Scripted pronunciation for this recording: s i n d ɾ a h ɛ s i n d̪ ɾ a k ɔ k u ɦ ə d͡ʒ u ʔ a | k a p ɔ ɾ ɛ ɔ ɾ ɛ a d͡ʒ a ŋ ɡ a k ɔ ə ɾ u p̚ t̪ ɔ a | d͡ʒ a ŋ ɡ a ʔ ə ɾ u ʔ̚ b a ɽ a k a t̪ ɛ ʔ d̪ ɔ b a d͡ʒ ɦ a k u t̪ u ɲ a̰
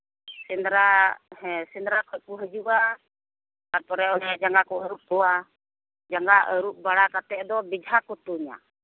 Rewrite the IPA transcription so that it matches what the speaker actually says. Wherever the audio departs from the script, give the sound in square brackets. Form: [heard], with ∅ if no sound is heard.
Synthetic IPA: s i n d ɾ a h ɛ s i n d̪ ɾ a k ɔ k u ɦ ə d͡ʒ u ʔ a | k a p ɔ ɾ ɛ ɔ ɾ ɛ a d͡ʒ a ŋ ɡ a k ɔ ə ɾ u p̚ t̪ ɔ a | d͡ʒ a ŋ ɡ a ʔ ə ɾ u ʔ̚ b a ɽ a k a t̪ ɛ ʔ d̪ ɔ b [i] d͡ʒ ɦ a k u t̪ u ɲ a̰